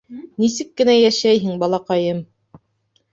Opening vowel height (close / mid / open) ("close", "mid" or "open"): close